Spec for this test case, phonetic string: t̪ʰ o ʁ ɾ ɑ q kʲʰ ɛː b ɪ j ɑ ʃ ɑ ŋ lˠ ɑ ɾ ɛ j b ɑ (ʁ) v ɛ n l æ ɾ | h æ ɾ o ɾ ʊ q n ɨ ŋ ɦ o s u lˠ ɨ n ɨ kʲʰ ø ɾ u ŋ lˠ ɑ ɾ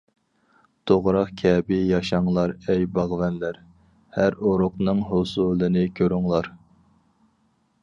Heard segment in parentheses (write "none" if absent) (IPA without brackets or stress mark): ʁ